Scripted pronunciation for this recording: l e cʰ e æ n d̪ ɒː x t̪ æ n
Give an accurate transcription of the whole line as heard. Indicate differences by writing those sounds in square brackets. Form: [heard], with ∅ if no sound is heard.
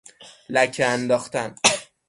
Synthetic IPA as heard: l [æ] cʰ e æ n d̪ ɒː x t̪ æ n